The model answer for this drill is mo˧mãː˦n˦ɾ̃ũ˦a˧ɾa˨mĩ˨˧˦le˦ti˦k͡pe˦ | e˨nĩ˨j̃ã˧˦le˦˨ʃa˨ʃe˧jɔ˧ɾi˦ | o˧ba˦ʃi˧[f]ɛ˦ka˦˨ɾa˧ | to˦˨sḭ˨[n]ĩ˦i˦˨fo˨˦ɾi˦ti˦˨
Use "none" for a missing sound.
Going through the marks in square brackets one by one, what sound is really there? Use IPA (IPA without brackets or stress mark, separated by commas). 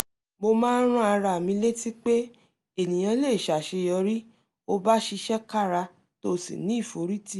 ʃ, n